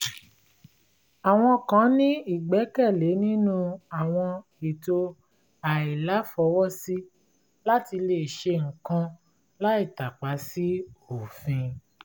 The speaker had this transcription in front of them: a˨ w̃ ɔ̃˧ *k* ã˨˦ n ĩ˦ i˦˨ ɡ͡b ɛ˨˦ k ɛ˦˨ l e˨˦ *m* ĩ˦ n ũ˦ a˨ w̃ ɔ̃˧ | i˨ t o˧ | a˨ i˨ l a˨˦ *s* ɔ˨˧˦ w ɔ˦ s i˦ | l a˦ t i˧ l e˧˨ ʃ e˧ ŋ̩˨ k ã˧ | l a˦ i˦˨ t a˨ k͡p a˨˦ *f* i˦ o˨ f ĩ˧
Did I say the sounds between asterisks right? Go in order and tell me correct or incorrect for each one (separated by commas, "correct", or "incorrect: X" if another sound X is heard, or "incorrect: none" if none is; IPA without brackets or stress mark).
correct, incorrect: n, incorrect: f, incorrect: s